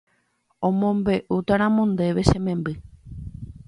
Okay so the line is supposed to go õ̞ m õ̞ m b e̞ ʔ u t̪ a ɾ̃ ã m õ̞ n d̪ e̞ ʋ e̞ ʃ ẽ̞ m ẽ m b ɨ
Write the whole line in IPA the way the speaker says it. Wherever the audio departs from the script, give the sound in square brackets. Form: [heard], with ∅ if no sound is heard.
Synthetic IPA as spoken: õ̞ m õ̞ m b e̞ ʔ u t̪ a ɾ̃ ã m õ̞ n d̪ e̞ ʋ e̞ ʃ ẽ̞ m ẽ m b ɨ